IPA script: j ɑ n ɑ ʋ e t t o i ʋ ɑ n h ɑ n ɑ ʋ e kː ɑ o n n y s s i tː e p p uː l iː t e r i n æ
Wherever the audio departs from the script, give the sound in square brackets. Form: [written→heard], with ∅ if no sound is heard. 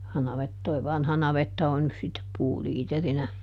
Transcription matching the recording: j ɑ n ɑ ʋ e t t o i ʋ ɑ n h ɑ n ɑ ʋ e [kː→tː] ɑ o n n y s s i tː e p p uː l iː t e r i n æ

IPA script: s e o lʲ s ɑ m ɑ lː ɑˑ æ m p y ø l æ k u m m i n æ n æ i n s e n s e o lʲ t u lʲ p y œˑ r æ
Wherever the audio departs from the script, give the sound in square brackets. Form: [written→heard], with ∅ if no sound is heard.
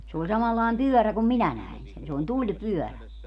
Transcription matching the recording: s e o lʲ s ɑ m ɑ lː ɑˑ [æ→e] m p y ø [l→r] æ k u m m i n æ n æ i n s e n s e o lʲ t u lʲ p y œˑ r æ

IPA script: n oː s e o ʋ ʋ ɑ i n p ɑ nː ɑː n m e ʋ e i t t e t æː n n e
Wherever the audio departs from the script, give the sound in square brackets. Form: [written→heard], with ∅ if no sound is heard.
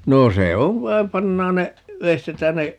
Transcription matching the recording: n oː s e o ʋ ʋ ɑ i [n→m] p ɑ nː ɑː n [m→n] e ʋ e i [t→s] t e t æː n n e

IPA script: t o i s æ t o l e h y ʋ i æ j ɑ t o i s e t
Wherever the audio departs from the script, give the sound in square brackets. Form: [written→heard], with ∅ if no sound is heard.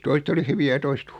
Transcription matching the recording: t o i s [æ→e] t o l [e→i] h y ʋ i æ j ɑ t o i s e t

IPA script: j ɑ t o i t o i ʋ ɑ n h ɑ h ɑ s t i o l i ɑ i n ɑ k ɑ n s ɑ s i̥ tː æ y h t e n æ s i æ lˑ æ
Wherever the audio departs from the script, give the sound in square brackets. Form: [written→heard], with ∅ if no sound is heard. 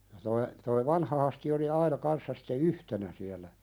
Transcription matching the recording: j ɑ t o i t o i ʋ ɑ n h ɑ h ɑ s t i o l i ɑ i n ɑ k ɑ n [s→sː] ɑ s i̥ tː [æ→e] y h t e n æ s i æ lˑ æ

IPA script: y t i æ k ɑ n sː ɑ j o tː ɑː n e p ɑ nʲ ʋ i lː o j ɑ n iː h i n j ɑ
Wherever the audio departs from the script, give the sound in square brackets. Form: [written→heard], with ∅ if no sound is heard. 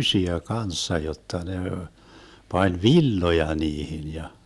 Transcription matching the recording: y [t→s] i æ k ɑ n sː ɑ j o tː [ɑː→ɑ] n e p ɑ nʲ ʋ i lː o j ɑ n iː h i n j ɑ

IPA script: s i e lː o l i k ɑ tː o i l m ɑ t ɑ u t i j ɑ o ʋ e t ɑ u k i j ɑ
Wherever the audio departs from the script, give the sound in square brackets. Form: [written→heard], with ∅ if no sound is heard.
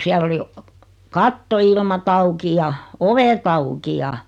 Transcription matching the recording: s i [e→æ] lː o l i k ɑ tː o i l m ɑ t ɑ u [t→k] i j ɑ o ʋ e t ɑ u k i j ɑ

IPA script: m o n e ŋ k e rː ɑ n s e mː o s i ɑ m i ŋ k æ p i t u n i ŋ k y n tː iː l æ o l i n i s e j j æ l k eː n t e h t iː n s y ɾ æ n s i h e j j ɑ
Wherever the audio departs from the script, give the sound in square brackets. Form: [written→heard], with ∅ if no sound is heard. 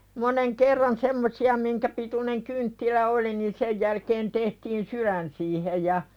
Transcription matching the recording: m o n e ŋ k e rː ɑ n s e mː o s i ɑ m i ŋ k æ p i t u n [i→e] ŋ k y n tː [iː→i] l æ o l i n i s e j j æ l k eː n t e h t iː n s y ɾ æ n s [i→iː] h e j j ɑ

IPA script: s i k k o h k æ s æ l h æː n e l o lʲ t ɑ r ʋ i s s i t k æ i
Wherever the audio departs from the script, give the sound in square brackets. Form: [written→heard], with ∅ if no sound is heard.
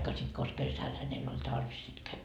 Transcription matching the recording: s i [k→t] k o [h→s] k [æ→e] s æ l h [æː→æ] n e [l→lː] o lʲ t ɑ r ʋ i s s i t k æ i

